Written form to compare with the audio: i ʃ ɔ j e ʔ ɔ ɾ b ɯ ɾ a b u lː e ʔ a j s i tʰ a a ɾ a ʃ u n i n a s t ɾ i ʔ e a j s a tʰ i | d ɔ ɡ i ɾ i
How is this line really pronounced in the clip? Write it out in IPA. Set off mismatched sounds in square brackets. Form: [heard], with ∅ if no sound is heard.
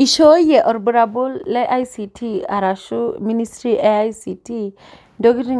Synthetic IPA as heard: i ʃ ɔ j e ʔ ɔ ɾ b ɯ ɾ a b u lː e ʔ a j s i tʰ [i] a ɾ a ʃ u [m] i n [i] s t ɾ i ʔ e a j s [i] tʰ i | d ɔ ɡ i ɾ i

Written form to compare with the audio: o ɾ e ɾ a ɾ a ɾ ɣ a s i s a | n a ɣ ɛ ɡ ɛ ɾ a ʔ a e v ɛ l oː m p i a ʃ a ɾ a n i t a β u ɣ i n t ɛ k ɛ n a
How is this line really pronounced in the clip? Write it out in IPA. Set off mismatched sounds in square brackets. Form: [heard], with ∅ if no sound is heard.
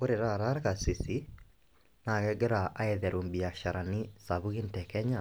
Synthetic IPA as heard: o ɾ e ɾ a ɾ a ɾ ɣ a s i s [i] | n a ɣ ɛ ɡ ɛ ɾ a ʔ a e [ð] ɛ [ɾ] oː m [b] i a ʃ a ɾ a n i [s] a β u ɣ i n t ɛ k ɛ [ɲ] a

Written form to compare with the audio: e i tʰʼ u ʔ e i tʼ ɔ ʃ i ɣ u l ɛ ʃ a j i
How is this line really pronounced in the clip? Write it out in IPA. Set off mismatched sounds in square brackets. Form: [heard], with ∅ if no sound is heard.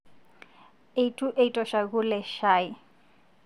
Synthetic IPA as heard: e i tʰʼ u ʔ e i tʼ ɔ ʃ [a] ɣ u l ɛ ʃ a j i

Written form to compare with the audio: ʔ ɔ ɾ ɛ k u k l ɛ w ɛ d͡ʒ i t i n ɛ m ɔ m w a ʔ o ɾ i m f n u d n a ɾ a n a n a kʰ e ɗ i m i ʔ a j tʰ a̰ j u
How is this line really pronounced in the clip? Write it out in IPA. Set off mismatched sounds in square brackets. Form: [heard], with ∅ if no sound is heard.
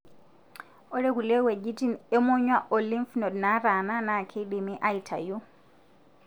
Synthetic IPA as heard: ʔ ɔ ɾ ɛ k u [∅] l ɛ w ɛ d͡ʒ i t i n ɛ m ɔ [ɲ] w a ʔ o [l] i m f n [ɔ] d n a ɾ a n a n a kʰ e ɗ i m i ʔ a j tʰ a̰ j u

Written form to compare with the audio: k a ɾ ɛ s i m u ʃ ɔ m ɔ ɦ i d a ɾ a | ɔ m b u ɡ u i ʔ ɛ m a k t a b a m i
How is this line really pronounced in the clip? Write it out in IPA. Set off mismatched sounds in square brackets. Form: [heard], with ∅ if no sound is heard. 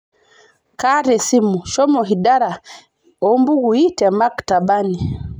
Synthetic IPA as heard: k a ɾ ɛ s i m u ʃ ɔ m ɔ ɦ i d a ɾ a | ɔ m b u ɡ u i [t] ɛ m a k t a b a [n] i

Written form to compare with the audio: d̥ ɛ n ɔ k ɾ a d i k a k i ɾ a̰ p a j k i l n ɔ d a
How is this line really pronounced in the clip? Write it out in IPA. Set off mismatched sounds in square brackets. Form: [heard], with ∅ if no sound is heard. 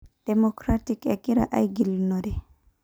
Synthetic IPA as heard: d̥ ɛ [m] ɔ k ɾ a [t] i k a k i ɾ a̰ [ʔ] a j [ɡ] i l n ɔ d [ɛ]

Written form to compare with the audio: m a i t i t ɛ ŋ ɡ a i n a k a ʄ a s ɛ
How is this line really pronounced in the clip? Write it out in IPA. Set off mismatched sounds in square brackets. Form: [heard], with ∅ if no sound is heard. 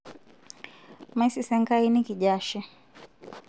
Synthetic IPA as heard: m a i [s] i [s] ɛ ŋ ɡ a i n [i] k [i] ʄ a [ʃ] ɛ

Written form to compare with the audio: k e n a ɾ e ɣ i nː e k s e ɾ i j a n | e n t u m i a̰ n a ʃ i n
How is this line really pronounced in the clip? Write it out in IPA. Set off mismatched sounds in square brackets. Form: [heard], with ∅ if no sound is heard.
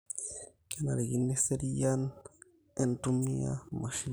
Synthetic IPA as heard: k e n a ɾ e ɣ i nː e [∅] s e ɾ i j a n | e n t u m i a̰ [m] a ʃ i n

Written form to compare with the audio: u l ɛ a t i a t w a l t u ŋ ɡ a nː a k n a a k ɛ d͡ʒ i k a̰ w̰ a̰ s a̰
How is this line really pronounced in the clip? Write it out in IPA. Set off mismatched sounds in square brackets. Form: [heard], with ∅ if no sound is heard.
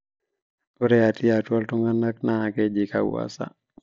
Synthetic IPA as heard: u [ɾ] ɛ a t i a t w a l t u ŋ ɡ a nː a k n a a k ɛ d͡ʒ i k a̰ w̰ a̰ s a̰

